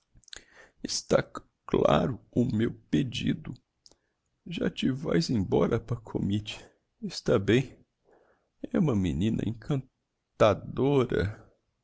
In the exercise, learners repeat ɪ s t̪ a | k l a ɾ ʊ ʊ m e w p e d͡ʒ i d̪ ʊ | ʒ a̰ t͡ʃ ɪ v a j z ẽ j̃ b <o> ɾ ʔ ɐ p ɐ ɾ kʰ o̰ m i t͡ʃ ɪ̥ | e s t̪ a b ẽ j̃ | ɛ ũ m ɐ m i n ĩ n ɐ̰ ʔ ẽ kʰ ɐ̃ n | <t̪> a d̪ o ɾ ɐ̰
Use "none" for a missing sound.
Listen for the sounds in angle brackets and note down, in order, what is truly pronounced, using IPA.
ɔ, t̪

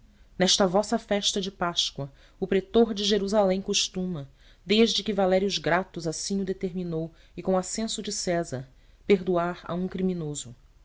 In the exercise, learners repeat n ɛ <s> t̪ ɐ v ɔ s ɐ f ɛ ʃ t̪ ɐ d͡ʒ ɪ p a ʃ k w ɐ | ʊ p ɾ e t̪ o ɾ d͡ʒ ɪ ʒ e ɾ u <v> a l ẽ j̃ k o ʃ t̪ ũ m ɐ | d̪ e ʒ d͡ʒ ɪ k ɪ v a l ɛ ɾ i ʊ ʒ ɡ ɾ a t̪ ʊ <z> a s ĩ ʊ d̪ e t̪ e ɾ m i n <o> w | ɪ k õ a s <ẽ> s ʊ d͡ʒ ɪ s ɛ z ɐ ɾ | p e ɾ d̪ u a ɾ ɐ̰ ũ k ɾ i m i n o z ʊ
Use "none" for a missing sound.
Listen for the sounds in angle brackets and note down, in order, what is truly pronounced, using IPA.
ʃ, z, z, o, ẽ

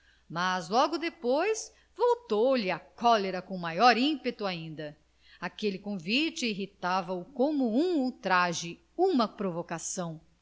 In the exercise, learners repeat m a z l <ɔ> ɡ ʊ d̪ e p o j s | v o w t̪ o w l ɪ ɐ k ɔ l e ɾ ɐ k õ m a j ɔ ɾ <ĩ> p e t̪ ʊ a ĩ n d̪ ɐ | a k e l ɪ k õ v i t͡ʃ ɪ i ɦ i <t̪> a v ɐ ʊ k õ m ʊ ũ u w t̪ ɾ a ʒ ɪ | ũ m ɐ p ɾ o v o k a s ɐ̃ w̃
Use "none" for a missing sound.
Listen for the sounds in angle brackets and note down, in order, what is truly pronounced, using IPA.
ɔ, ĩ, t̪

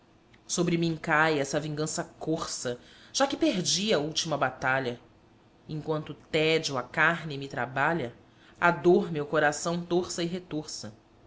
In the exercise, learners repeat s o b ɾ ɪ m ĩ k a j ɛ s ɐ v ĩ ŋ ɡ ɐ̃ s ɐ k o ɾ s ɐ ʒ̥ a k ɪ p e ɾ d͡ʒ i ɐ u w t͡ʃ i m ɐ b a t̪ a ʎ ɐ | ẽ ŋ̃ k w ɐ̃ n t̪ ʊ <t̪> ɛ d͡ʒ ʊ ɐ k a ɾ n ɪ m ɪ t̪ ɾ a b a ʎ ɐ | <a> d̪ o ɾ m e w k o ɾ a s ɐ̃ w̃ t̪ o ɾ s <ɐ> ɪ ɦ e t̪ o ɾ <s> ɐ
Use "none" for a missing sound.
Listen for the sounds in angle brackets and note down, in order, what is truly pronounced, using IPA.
t̪, a, ɐ, s

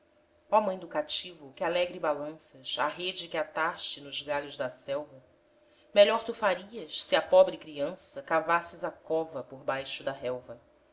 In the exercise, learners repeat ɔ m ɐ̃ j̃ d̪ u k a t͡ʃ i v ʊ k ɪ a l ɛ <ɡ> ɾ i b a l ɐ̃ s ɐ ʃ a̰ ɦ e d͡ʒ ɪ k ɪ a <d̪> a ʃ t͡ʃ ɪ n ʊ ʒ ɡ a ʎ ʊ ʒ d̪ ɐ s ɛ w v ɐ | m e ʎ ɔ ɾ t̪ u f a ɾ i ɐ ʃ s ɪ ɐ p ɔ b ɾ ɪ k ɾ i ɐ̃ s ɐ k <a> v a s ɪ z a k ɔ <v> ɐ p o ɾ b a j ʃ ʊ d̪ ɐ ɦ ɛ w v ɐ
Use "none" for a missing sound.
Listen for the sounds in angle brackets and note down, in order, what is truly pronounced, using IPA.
ɡ, t̪, a, v

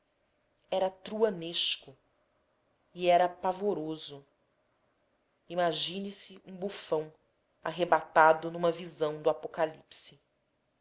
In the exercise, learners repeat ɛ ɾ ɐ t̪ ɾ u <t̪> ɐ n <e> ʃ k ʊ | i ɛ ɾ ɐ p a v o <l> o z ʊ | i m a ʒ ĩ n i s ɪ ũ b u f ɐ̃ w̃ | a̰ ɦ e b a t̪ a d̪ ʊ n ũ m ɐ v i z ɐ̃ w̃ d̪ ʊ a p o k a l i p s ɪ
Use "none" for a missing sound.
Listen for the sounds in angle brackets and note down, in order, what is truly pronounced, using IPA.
none, e, ɾ

